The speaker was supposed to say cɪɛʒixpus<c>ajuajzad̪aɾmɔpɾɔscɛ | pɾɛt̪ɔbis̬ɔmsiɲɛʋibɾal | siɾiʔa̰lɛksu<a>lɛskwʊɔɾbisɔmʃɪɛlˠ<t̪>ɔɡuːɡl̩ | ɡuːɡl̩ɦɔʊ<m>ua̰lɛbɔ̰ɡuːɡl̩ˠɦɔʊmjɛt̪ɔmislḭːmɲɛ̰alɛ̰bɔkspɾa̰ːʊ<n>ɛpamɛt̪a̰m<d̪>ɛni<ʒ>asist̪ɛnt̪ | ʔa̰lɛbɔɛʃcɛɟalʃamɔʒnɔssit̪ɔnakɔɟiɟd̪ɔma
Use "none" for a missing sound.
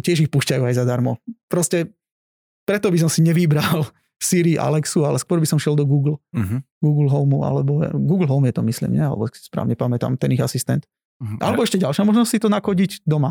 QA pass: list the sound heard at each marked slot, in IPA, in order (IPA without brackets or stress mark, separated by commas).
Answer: c, a, d̪, m, ɲ, t̪, ɣ